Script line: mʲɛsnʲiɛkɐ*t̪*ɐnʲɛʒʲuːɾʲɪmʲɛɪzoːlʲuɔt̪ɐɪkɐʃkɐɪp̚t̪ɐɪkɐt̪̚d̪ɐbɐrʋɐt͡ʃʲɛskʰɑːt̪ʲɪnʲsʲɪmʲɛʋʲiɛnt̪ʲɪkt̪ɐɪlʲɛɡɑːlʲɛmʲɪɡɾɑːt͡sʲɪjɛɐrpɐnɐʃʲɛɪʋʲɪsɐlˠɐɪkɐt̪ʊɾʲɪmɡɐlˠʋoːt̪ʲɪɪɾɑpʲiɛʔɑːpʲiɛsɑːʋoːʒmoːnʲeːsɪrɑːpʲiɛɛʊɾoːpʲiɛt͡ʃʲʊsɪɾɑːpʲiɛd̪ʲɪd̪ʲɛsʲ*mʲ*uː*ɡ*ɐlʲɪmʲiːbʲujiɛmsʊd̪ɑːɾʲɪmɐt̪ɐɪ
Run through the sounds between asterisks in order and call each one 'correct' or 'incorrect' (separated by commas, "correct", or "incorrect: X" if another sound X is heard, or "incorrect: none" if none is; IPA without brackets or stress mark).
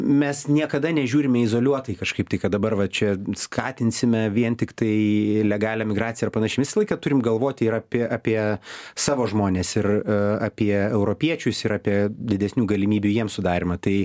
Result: incorrect: d̪, incorrect: nʲ, correct